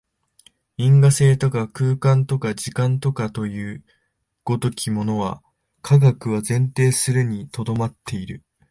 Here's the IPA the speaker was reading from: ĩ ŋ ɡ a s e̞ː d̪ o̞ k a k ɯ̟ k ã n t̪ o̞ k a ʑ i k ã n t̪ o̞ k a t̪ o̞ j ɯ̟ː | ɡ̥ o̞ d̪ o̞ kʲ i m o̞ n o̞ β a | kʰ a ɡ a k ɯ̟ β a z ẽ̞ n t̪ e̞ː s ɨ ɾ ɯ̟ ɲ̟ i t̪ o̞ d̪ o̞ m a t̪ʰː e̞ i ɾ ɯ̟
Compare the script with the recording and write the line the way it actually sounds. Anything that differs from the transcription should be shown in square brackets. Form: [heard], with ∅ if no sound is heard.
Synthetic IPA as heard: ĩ ŋ ɡ a s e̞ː [t̪] o̞ k a k [ɯ̟ː] k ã n t̪ o̞ k a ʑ i k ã n t̪ o̞ k a t̪ o̞ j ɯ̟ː | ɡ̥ o̞ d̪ o̞ kʲ i m o̞ n o̞ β a | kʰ a ɡ a k ɯ̟ β a z ẽ̞ n t̪ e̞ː s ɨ ɾ ɯ̟ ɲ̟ i t̪ o̞ d̪ o̞ m a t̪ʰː e̞ i ɾ ɯ̟